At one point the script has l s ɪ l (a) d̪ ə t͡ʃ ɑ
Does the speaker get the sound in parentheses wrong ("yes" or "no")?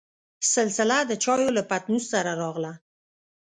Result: no